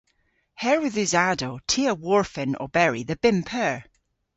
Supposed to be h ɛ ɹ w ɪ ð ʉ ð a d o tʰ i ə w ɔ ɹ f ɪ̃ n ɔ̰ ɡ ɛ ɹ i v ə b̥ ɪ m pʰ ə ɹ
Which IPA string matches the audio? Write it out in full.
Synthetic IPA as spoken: h ɛ ɹ w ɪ ð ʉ z a d o tʰ i ə w ɔ ɹ f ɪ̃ n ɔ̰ b ɛ ɹ i ð ə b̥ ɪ m pʰ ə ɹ